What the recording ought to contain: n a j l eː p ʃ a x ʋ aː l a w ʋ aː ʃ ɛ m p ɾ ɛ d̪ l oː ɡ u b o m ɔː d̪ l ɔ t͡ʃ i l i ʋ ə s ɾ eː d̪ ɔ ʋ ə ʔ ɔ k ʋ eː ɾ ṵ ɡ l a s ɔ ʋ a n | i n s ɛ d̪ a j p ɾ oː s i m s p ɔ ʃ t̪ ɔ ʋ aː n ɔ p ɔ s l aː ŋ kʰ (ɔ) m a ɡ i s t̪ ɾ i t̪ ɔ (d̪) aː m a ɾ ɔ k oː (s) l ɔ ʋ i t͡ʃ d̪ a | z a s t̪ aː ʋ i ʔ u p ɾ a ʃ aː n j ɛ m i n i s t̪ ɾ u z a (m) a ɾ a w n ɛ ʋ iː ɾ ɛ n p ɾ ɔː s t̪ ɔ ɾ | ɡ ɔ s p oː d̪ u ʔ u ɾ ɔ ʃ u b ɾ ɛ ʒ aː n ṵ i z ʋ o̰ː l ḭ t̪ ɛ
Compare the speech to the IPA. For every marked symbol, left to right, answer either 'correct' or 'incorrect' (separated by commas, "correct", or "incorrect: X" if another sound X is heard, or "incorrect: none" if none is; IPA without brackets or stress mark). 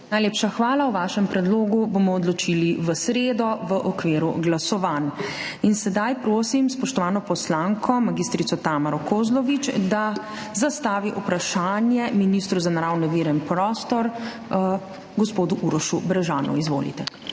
correct, incorrect: t̪, incorrect: z, incorrect: n